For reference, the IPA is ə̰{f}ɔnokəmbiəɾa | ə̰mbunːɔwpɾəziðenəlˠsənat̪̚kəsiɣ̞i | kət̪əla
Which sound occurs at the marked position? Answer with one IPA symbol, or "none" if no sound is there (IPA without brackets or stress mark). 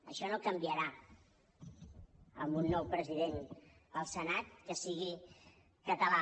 ʃ